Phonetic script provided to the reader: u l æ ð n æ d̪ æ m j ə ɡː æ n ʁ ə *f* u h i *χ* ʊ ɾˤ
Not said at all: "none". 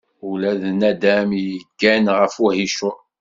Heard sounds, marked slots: f, ʃ

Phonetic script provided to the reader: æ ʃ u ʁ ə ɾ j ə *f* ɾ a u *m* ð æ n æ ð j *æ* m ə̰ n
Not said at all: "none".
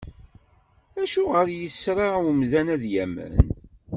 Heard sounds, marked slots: s, m, æ

